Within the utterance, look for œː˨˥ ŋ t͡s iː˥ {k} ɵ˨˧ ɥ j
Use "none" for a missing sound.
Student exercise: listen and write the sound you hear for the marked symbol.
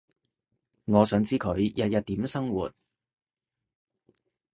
kʰ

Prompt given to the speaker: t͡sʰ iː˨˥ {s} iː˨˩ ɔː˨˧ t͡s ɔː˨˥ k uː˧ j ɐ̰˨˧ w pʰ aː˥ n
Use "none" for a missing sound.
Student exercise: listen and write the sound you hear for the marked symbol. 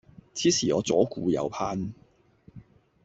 s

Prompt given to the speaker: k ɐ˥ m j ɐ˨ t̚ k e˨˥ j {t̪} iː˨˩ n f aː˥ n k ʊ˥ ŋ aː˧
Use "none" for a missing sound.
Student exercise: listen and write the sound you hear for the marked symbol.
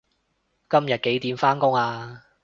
t̪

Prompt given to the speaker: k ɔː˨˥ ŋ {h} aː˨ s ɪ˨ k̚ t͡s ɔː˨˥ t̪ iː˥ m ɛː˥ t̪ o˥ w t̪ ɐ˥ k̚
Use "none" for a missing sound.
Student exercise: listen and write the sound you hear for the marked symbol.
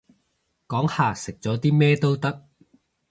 h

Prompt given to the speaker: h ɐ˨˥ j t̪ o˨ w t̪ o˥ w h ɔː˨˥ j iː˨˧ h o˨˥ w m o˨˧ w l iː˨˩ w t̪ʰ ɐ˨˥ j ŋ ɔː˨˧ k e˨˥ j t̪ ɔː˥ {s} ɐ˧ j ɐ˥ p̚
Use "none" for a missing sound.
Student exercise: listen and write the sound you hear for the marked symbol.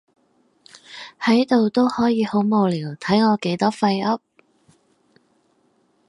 f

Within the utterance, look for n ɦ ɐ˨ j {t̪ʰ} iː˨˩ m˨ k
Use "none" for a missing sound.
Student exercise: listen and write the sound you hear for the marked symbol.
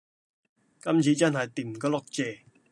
t̪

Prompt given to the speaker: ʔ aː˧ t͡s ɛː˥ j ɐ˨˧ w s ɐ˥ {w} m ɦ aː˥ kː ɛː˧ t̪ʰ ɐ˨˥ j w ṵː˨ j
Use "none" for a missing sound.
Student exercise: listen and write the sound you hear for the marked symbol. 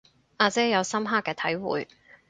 none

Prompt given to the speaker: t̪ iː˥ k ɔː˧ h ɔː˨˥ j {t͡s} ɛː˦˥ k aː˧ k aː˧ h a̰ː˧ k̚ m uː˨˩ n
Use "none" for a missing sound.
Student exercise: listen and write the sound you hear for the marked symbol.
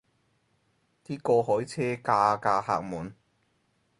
t͡sʰ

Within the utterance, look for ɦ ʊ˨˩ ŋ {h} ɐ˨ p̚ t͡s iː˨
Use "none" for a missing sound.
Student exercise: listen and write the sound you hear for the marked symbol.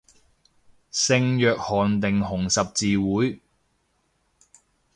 s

